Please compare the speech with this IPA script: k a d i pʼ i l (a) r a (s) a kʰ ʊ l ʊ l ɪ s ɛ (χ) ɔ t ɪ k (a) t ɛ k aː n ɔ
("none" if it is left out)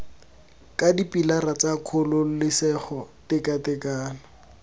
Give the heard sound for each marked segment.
a, t͡s, χ, a

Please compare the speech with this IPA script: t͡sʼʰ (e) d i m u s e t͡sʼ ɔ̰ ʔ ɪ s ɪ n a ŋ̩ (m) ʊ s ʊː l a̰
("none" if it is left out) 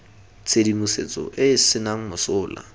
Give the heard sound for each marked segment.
e, m

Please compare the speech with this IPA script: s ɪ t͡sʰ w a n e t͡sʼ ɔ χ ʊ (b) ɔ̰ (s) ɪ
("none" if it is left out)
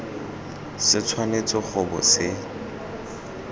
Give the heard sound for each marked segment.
b, s

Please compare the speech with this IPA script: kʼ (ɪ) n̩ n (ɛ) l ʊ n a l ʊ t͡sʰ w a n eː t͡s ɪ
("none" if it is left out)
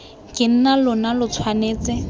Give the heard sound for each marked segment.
ɪ, a

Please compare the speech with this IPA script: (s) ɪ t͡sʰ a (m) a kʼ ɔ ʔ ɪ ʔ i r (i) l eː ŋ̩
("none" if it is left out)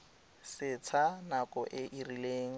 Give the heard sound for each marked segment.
s, n, i

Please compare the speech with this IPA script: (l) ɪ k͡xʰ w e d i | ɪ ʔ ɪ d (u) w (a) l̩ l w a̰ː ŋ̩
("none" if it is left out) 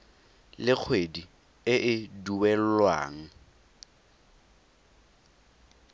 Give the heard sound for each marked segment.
l, u, ɛ

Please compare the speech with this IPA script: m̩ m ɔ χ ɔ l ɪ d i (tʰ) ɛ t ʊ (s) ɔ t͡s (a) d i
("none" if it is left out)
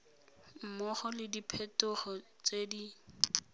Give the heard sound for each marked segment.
pʰ, χ, e

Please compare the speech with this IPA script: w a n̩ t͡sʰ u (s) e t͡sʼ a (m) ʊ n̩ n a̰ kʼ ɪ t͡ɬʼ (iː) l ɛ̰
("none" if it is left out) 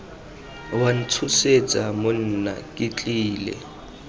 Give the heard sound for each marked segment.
s, m, iː

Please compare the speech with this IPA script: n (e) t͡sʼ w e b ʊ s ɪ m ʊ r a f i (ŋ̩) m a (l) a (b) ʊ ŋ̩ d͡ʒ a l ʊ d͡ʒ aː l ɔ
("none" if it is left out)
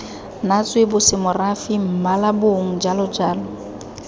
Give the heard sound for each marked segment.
a, m̩, l, b

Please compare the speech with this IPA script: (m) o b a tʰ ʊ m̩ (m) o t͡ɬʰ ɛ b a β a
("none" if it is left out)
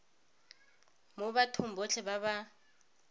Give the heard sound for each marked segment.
m, b

